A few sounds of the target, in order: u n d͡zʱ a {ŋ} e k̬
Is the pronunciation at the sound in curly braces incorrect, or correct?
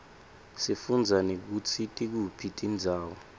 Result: incorrect: n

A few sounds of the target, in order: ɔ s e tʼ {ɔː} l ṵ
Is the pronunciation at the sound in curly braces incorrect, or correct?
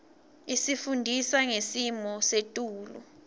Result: incorrect: uː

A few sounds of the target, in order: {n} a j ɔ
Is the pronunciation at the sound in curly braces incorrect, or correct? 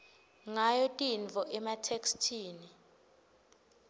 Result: incorrect: ŋ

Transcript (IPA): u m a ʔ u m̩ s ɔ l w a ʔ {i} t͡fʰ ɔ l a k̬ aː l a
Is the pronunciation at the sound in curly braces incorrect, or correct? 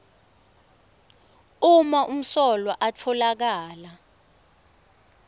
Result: incorrect: a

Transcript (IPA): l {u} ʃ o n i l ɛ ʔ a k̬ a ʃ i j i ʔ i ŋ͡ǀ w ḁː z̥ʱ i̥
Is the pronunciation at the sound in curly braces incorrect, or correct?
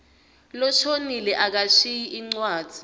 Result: incorrect: ɔ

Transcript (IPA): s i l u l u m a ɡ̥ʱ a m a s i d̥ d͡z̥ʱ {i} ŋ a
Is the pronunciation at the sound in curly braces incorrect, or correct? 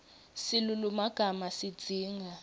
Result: incorrect: iː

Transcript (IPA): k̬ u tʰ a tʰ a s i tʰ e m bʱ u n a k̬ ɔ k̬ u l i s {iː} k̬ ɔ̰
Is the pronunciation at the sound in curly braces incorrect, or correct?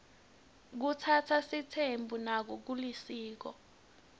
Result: correct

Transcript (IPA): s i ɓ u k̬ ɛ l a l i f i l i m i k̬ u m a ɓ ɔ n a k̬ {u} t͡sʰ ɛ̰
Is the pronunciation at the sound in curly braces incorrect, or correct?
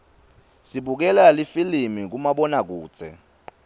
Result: incorrect: uː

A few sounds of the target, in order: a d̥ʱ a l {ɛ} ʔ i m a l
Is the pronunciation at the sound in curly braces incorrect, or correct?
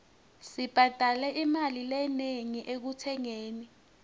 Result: correct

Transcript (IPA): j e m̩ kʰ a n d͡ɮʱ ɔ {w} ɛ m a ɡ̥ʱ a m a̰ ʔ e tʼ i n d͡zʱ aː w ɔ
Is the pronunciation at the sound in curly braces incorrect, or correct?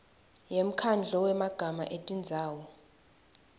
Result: correct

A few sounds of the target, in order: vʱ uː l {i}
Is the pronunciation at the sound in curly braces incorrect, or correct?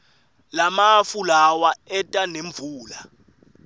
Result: incorrect: a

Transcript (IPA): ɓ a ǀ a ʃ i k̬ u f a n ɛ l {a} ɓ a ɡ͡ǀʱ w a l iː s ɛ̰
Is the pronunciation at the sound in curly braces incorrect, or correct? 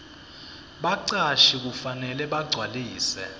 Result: incorrect: ɛ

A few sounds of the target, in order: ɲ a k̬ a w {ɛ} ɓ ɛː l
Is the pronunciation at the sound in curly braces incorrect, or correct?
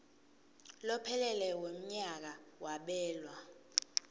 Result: incorrect: a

